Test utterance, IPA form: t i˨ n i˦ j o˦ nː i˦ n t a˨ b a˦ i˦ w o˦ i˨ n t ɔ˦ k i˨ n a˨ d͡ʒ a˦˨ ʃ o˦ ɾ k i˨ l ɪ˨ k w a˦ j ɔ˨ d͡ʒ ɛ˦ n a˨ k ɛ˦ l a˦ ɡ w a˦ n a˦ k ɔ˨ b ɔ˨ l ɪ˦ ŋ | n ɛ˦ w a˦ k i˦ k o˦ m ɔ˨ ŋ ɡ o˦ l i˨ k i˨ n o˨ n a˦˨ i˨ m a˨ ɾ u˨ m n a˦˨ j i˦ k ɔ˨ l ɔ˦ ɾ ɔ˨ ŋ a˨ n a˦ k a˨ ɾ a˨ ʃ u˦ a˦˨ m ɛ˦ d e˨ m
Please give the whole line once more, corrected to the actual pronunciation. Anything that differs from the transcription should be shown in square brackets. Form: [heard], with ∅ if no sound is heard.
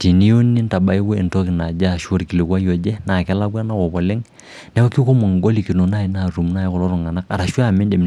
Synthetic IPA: t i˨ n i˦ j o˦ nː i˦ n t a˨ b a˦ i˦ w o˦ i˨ n t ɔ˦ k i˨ n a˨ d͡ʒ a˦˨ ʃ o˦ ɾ k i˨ l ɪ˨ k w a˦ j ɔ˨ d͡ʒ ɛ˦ n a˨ k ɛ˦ l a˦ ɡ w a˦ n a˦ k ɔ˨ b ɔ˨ l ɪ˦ ŋ | n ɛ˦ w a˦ k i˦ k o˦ m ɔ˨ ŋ ɡ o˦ l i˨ k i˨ n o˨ n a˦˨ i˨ [n] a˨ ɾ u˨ m n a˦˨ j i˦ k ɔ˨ l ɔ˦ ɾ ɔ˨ ŋ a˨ n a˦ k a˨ ɾ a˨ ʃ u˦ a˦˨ m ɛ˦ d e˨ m